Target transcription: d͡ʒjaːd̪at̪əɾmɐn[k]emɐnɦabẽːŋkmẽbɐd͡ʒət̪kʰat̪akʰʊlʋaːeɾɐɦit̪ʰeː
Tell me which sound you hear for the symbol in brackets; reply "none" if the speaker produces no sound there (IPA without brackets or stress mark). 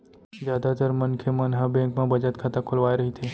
kʰ